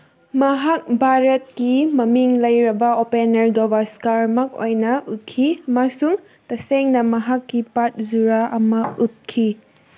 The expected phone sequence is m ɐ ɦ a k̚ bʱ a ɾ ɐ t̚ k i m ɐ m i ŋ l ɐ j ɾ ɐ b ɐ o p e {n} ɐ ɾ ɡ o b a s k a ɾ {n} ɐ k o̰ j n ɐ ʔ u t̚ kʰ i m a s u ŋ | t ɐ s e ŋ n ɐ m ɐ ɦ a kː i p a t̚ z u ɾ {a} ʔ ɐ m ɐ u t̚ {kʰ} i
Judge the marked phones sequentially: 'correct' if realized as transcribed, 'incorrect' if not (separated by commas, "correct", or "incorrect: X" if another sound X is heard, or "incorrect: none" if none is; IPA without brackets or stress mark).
correct, incorrect: m, correct, correct